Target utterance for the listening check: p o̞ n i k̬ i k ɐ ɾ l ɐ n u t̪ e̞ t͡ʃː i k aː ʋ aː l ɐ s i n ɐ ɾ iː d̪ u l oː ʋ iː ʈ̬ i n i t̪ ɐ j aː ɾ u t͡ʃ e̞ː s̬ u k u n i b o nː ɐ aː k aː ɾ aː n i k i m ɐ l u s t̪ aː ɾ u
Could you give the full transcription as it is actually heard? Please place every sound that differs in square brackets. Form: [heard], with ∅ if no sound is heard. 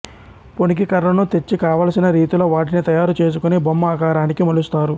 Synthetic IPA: p o̞ n i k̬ i k ɐ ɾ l ɐ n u t̪ e̞ t͡ʃː i k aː ʋ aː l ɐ s i n ɐ ɾ iː [t̪] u l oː ʋ [aː] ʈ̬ i n i t̪ ɐ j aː ɾ u t͡ʃ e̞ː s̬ u k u n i b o [mː] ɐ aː k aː ɾ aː n i k i m ɐ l u s t̪ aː ɾ u